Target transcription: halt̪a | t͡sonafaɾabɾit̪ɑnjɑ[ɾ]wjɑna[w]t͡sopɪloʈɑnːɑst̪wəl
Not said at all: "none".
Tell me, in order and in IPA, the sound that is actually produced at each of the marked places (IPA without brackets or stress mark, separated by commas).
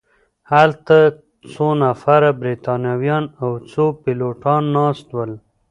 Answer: none, w